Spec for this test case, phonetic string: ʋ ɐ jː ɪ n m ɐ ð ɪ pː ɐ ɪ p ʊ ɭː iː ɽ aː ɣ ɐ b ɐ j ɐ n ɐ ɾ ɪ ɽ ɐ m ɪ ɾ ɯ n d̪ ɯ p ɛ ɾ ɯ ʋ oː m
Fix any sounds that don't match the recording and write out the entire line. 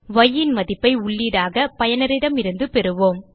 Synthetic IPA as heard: ʋ ɐ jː ɪ n m ɐ ð ɪ pː ɐ ɪ ʊ ɭː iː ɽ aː ɣ ɐ p ɐ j ɐ n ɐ ɾ ɪ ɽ ɐ m ɪ ɾ ɯ n d̪ ɯ p ɛ ɾ ɯ ʋ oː m